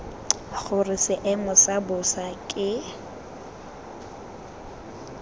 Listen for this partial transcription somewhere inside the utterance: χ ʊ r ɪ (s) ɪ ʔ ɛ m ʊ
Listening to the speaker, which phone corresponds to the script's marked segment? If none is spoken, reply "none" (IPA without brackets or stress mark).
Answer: s